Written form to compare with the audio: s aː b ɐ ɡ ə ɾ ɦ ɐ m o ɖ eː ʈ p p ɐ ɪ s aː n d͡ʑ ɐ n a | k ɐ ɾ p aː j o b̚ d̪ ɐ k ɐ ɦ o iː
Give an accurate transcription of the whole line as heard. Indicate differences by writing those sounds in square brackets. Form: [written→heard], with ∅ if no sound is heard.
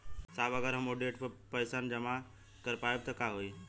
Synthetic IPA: s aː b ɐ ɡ ə ɾ ɦ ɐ m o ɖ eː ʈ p p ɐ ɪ s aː n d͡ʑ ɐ [n→m] a | k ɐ ɾ p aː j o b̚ [d̪→t̪] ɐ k [ɐ→a] ɦ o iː